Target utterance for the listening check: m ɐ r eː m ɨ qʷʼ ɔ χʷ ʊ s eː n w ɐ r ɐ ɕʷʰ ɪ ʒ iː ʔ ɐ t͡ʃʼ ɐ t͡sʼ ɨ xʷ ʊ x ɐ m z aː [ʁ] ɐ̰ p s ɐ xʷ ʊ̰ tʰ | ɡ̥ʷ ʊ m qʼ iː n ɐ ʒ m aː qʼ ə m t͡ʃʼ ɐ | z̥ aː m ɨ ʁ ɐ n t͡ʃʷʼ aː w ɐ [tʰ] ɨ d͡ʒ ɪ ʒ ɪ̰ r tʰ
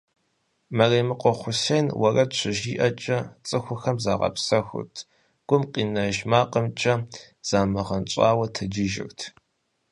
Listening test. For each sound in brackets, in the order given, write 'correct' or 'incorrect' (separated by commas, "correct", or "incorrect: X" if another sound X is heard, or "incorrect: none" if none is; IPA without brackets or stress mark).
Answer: correct, correct